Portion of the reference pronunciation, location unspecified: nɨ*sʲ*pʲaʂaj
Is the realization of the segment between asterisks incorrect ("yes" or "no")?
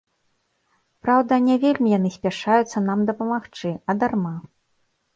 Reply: no